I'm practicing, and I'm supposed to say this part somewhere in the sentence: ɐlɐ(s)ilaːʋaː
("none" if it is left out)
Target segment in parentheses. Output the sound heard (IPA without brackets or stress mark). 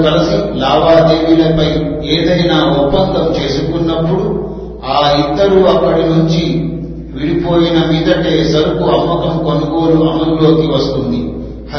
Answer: s